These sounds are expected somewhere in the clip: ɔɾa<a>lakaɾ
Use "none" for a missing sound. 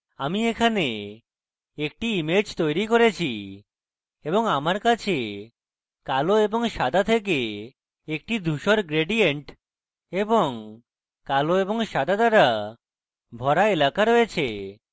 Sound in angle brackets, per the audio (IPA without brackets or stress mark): e